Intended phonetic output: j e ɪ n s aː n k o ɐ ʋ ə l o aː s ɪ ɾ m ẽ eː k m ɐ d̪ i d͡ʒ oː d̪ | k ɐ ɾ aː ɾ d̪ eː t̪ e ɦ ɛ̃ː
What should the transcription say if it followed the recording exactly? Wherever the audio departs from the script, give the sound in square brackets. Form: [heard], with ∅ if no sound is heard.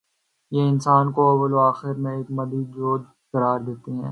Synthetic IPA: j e ɪ n s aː n k o ɐ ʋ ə l o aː [x] ɪ ɾ m ẽ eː k m ɐ d̪ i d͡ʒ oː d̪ | k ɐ ɾ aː ɾ d̪ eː t̪ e ɦ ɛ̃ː

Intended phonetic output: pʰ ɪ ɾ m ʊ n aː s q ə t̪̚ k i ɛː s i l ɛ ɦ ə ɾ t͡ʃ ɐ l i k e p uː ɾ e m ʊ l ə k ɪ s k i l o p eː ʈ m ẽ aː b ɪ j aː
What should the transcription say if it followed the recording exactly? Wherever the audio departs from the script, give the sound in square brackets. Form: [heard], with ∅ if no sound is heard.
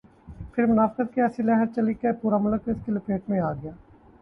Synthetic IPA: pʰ ɪ ɾ m ʊ n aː [f] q ə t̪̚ k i ɛː s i l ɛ ɦ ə ɾ t͡ʃ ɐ l i k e p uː ɾ [a] m ʊ l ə k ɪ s k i l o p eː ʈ m ẽ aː [ɡ] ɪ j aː

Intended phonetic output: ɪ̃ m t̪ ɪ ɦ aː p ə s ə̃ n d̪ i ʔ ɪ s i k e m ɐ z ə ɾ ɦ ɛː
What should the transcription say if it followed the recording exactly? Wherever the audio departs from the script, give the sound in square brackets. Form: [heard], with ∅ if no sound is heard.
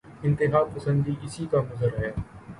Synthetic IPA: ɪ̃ [n] t̪ ɪ ɦ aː p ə s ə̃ n d̪ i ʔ ɪ s i k [a] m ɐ z ə ɾ ɦ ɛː

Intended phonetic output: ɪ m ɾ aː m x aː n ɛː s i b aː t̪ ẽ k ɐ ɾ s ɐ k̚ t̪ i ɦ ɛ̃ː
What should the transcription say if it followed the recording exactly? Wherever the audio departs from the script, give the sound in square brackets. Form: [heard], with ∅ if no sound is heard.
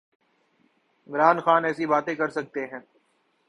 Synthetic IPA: ɪ m ɾ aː [n] x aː n ɛː s i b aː t̪ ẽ k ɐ ɾ s ɐ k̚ t̪ [e] ɦ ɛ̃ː

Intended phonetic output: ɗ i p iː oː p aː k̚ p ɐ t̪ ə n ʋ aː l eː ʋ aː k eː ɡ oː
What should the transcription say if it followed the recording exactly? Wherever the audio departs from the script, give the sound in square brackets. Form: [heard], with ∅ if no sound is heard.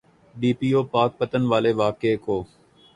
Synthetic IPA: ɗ [iː] p iː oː p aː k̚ p [ə] t̪ ə n ʋ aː l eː ʋ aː k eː [k] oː

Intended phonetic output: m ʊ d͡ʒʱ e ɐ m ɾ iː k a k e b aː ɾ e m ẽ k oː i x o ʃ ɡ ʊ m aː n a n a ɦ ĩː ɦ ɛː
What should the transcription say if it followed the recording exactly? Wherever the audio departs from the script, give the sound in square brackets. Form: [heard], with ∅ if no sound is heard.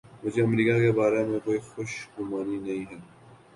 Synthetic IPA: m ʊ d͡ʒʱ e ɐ m ɾ iː k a k e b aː ɾ e m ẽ k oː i x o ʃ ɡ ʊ m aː n [i] n [ɐ] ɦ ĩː ɦ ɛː

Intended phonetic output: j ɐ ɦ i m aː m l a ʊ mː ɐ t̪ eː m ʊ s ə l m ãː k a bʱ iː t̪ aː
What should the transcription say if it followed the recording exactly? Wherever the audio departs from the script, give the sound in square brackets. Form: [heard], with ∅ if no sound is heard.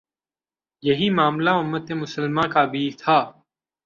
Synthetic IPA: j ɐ ɦ i m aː m l a ʊ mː [ə] t̪ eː m ʊ s ə l m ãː k a bʱ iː [t̪ʰ] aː

